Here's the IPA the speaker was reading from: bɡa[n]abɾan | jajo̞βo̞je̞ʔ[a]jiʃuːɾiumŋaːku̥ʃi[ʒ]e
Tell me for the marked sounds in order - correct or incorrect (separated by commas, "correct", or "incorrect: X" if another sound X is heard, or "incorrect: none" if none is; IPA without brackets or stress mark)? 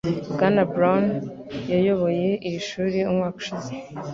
correct, incorrect: i, incorrect: z